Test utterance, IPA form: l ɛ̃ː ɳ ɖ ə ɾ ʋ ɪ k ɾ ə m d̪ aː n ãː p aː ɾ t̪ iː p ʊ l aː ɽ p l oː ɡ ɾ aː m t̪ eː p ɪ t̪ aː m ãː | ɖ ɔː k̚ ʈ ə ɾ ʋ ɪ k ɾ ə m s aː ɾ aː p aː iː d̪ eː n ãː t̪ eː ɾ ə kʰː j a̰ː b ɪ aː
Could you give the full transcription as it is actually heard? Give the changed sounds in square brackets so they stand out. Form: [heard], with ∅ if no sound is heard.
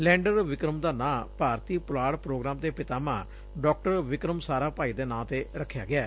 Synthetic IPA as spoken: l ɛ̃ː ɳ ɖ ə ɾ ʋ ɪ k ɾ ə m d̪ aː n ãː p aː ɾ t̪ iː p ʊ l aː ɽ p [ɾ] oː ɡ ɾ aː m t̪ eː p ɪ t̪ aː m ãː | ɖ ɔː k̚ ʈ ə ɾ ʋ ɪ k ɾ ə m s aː ɾ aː p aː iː d̪ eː n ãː t̪ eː ɾ ə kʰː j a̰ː [ɡ] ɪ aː

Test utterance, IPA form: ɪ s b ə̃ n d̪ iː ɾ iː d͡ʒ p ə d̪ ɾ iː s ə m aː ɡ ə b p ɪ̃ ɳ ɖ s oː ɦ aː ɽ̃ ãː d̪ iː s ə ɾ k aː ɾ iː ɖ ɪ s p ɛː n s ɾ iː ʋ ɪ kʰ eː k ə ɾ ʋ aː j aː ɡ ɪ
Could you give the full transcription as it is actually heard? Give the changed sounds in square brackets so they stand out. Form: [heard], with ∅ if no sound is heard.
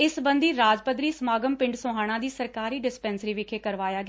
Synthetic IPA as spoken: ɪ s b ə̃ n d̪ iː ɾ [aː] d͡ʒ p ə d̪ ɾ iː s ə m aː ɡ ə [m] p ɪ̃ ɳ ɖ s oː ɦ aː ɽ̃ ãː d̪ iː s ə ɾ k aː ɾ iː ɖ ɪ s p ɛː n s ɾ iː ʋ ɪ kʰ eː k ə ɾ ʋ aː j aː ɡ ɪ

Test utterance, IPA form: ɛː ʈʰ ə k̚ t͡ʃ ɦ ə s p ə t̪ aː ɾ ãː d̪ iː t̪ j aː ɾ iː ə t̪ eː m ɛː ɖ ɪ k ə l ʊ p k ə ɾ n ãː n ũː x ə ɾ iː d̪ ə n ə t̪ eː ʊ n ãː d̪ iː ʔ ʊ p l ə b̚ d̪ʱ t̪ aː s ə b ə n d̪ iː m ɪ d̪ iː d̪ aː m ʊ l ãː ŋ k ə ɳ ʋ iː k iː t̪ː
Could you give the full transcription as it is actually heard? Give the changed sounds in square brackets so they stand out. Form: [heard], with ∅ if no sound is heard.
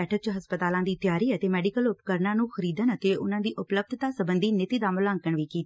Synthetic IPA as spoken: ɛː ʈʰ ə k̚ t͡ʃ ɦ ə s p ə t̪ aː [l] ãː d̪ iː t̪ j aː ɾ iː ə t̪ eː m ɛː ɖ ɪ k ə l ʊ p k ə ɾ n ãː n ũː x ə ɾ iː d̪ ə n ə t̪ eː ʊ n ãː d̪ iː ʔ ʊ p l ə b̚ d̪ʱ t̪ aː s ə b ə n d̪ iː [n] ɪ [t̪] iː d̪ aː m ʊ l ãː ŋ k ə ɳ ʋ iː k iː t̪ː

